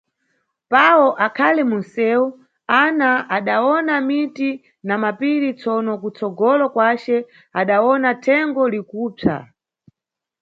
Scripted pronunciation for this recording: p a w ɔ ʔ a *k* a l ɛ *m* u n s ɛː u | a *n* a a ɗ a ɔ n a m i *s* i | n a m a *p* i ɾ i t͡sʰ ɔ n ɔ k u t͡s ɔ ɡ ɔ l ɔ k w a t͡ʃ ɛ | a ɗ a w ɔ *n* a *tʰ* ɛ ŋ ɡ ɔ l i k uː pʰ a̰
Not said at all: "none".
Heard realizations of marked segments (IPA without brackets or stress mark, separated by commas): kʰ, m, n, t, p, n, tʰ